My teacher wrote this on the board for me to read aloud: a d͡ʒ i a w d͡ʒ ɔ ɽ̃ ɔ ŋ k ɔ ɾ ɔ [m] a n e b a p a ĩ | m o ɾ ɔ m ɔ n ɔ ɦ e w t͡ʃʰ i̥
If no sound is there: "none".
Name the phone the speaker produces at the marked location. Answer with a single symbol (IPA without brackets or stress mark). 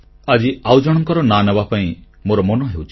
n